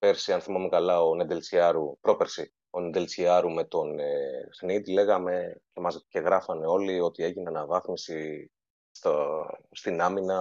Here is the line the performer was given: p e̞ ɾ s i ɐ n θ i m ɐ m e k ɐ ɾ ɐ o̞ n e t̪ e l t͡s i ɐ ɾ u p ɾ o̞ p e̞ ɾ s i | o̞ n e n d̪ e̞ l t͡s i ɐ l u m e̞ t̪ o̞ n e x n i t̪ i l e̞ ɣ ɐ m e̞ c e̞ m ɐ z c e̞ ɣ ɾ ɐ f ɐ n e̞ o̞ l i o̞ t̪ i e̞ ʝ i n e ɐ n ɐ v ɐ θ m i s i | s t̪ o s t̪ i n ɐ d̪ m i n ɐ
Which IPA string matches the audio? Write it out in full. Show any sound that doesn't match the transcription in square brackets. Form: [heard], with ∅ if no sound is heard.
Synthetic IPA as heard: p e̞ ɾ s i ɐ n θ i m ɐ m e k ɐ [l] ɐ o̞ n e [d̪] e l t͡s i ɐ ɾ u p ɾ o̞ p e̞ ɾ s i | o̞ n e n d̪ e̞ l t͡s i ɐ [ɾ] u m e̞ t̪ o̞ n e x n i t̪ i l e̞ ɣ ɐ m e̞ c e̞ m ɐ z c e̞ ɣ ɾ ɐ f ɐ n e̞ o̞ l i o̞ t̪ i e̞ ʝ i n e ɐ n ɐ v ɐ θ m i s i | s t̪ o s t̪ i n ɐ [∅] m i n ɐ